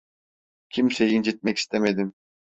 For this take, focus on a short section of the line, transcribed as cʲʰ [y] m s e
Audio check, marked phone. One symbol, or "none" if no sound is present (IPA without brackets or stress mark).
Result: i